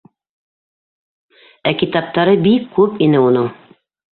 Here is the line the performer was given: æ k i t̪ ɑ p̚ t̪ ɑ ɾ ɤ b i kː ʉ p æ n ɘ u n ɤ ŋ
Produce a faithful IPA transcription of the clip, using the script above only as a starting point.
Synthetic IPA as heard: æ k i t̪ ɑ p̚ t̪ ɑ ɾ ɤ b i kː ʉ p i n ɘ u n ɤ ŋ